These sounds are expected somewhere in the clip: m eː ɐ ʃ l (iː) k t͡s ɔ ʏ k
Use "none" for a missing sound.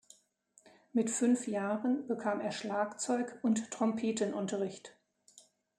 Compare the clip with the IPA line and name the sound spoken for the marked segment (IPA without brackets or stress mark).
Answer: aː